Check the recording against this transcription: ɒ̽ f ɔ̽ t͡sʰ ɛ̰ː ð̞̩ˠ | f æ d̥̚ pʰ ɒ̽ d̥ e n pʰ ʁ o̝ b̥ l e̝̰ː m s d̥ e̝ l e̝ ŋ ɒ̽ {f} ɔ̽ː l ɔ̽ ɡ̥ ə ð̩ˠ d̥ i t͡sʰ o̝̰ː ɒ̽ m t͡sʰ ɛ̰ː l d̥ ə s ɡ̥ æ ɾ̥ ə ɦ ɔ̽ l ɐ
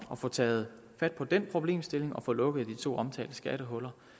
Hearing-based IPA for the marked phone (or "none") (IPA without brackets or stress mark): f